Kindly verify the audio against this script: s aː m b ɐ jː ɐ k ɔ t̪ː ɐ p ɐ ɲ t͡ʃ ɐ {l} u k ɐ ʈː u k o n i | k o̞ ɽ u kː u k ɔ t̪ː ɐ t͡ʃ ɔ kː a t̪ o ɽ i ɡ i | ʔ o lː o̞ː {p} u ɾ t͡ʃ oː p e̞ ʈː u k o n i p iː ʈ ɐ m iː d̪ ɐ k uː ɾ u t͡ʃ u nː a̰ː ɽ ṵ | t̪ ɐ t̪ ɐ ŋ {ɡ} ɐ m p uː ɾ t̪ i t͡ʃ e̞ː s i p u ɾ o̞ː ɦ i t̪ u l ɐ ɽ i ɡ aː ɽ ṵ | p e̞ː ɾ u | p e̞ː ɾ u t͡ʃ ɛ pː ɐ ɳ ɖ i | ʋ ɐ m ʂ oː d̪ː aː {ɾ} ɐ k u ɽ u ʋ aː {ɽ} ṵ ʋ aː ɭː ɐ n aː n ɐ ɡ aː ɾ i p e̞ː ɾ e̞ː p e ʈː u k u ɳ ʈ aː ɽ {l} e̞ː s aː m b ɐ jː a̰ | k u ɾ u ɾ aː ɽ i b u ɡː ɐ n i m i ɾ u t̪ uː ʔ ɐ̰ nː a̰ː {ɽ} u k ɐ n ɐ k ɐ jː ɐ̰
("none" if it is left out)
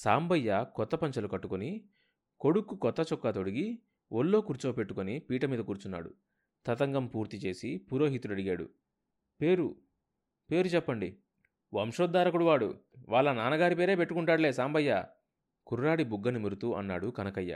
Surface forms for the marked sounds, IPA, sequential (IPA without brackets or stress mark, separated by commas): l, k, ɡ, ɾ, ɽ, l, ɽ